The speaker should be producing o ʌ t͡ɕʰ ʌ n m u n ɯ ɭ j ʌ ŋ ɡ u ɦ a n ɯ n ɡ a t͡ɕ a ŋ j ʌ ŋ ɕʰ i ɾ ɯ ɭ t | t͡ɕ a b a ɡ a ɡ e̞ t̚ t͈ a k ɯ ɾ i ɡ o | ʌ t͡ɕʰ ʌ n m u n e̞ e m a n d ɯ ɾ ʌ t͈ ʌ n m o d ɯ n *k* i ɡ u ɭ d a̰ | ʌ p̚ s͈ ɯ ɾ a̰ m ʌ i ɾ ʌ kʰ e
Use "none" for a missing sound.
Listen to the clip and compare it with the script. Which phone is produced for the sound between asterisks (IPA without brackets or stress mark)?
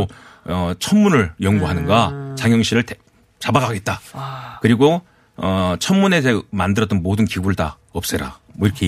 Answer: k